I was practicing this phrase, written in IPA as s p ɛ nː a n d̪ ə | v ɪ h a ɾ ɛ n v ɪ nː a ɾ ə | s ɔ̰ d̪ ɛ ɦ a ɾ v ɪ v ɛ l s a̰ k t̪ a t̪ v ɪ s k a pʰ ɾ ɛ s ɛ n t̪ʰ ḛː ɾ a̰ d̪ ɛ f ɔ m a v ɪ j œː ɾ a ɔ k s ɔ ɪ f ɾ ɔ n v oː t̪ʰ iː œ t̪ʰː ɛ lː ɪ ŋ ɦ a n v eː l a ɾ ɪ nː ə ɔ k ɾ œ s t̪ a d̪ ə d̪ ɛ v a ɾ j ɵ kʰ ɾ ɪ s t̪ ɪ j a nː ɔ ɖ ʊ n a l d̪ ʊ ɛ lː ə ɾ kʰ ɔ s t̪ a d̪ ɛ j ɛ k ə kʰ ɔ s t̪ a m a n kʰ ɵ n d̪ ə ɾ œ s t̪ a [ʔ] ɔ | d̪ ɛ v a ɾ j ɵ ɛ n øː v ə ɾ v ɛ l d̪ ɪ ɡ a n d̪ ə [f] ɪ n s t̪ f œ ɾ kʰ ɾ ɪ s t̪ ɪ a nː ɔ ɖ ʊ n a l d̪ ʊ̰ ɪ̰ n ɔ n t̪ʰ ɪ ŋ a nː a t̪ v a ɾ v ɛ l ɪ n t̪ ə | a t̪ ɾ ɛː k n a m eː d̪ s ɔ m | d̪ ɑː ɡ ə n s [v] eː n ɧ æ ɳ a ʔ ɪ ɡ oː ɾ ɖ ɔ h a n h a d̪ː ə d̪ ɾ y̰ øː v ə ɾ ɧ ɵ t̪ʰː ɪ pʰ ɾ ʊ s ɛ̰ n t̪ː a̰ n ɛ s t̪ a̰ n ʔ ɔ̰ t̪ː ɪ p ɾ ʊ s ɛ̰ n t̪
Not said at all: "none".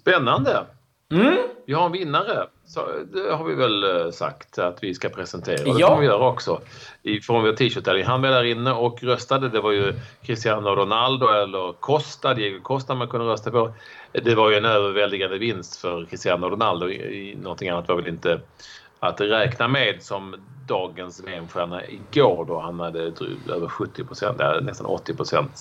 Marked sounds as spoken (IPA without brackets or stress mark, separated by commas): p, v, v